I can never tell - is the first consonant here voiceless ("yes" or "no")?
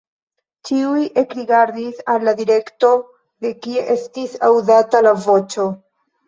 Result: yes